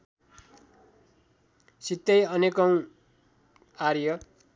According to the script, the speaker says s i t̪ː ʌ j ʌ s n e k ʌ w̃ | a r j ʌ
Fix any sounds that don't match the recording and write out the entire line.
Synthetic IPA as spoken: s i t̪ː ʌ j ʌ n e k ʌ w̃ | a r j ʌ